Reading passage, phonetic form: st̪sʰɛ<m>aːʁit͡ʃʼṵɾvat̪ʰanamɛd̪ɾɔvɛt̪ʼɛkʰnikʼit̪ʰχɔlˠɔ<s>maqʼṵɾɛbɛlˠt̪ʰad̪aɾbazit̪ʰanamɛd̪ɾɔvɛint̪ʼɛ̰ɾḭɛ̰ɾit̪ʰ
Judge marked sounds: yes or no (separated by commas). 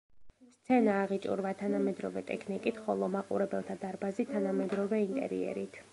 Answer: no, no